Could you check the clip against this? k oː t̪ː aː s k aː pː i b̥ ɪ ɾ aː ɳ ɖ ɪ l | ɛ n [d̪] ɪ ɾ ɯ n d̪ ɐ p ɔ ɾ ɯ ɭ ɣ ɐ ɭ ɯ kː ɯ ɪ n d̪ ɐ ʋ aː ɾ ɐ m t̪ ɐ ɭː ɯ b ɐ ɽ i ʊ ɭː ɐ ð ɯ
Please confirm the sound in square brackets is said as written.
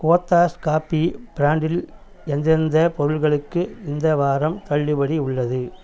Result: yes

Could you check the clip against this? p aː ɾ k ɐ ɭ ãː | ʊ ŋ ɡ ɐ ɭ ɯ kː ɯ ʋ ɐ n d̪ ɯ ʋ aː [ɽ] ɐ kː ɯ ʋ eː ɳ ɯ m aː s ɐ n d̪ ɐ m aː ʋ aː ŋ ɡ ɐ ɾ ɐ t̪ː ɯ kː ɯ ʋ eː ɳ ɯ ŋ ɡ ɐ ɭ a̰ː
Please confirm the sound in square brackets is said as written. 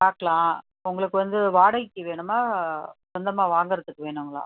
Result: yes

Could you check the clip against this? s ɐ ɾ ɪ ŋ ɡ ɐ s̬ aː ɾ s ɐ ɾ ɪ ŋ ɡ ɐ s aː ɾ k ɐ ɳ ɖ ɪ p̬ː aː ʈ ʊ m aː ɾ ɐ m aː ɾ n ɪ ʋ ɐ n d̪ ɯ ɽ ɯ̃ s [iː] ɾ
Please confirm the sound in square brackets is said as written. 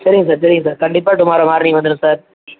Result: no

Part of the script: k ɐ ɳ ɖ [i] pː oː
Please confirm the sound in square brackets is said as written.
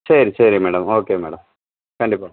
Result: yes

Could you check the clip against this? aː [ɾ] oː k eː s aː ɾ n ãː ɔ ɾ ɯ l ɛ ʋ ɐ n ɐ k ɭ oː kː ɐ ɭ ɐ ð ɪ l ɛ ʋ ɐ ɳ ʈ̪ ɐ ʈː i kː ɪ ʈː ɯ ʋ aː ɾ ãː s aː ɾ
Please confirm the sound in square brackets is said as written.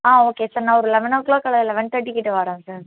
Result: no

